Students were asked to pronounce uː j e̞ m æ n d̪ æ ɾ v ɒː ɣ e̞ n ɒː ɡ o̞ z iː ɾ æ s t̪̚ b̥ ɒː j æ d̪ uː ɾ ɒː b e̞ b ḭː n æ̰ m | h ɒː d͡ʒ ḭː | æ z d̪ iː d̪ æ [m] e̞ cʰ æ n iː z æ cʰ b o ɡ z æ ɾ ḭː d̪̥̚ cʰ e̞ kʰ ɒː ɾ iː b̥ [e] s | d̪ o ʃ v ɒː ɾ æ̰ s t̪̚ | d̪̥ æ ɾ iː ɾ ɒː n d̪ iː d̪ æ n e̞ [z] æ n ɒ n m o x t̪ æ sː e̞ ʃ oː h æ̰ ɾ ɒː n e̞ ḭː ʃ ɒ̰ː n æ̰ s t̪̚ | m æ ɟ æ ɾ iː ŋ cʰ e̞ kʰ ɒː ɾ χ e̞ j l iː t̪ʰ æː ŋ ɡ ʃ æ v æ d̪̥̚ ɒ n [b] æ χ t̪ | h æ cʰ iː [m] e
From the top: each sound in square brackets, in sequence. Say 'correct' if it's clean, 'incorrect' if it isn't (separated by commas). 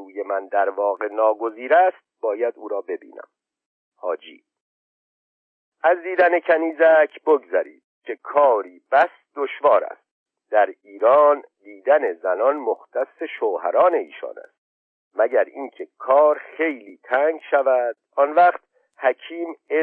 incorrect, incorrect, correct, incorrect, correct